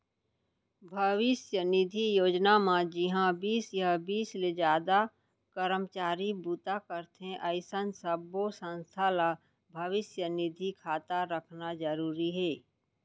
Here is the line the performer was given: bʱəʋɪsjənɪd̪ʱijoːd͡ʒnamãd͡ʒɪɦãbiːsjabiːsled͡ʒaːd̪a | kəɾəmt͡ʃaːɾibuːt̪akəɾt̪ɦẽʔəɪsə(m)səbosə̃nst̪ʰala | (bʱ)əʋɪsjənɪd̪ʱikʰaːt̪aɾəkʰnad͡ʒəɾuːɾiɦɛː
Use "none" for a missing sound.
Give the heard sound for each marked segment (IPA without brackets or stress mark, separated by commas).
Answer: n, bʱ